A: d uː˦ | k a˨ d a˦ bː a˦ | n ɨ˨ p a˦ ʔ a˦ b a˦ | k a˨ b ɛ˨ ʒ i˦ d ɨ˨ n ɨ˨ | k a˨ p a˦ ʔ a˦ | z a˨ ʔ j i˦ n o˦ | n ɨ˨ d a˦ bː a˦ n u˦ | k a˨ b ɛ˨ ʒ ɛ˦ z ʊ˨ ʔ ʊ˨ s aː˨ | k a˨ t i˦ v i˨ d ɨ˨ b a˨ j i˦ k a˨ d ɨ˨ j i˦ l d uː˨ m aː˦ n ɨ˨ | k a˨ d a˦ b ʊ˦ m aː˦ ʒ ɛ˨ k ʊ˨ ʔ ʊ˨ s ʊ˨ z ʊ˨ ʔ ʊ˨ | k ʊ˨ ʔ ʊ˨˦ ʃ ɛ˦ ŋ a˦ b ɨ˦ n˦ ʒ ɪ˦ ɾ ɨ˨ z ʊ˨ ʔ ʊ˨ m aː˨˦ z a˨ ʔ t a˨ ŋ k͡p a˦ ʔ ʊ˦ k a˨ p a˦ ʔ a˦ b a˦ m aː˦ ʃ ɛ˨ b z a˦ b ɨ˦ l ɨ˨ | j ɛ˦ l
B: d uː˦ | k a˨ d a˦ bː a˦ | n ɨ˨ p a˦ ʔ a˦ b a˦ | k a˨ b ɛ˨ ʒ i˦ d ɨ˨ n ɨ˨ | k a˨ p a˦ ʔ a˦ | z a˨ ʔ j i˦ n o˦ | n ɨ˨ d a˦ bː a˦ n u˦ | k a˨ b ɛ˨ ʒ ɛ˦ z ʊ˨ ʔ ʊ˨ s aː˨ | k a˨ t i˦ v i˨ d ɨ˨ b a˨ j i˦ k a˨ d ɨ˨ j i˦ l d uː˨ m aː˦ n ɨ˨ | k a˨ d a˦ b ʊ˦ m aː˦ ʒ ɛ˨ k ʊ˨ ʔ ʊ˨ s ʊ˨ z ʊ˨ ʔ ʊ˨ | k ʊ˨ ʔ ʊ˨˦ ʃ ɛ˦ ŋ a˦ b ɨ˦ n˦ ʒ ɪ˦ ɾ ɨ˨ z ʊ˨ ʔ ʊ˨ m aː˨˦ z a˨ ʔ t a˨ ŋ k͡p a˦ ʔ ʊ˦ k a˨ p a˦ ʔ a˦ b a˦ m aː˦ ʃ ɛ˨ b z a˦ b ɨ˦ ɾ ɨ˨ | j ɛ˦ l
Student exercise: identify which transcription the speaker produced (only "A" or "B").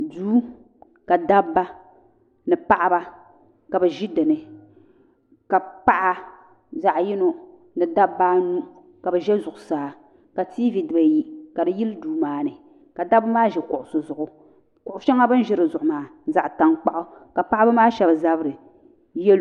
B